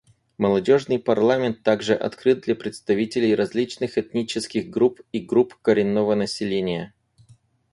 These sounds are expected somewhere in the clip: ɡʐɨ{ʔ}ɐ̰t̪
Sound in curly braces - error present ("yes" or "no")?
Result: no